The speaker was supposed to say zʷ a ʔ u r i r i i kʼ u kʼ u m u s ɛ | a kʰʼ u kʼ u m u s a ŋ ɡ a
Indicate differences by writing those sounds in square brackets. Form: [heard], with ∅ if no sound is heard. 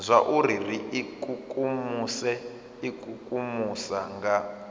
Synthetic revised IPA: zʷ a ʔ u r i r i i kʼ u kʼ u m u s ɛ | [i] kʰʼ u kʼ u m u s a ŋ ɡ a